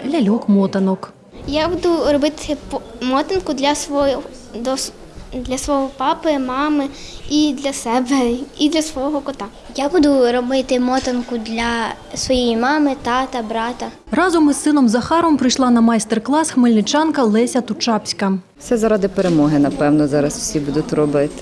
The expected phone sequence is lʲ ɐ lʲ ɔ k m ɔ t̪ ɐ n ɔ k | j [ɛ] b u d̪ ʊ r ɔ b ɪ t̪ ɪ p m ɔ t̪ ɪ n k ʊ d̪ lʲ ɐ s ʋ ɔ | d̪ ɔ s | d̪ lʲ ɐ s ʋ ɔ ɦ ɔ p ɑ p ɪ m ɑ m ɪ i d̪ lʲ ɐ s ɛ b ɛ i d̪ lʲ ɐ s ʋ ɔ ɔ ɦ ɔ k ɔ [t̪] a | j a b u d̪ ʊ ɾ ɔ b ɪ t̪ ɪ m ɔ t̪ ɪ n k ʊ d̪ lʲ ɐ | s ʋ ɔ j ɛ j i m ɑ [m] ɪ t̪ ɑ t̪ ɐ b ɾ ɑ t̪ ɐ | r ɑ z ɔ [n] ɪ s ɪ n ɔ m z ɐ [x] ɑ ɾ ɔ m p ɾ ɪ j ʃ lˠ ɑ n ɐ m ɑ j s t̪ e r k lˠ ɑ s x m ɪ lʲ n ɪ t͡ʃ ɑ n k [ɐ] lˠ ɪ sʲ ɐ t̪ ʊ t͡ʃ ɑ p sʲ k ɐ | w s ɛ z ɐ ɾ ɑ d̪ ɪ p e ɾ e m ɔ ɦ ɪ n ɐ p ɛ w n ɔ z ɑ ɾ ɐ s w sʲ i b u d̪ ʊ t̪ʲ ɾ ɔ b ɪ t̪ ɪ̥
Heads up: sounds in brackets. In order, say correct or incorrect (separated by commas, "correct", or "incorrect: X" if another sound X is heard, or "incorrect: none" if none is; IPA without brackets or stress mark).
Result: incorrect: a, correct, correct, incorrect: m, correct, correct